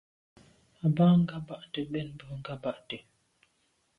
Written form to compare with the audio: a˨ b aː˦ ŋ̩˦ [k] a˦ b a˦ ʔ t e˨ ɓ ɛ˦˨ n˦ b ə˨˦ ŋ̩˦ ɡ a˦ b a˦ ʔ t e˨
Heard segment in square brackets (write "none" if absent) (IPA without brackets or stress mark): ɡ